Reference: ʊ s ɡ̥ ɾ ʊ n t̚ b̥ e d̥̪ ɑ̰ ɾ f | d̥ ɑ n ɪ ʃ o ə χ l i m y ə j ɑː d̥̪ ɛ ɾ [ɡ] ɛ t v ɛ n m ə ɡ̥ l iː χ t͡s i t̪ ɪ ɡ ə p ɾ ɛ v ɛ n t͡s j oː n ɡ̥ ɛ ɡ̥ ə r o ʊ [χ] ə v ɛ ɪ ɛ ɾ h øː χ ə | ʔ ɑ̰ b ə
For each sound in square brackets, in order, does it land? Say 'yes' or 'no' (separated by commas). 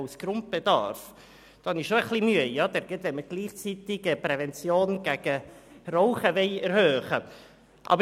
yes, yes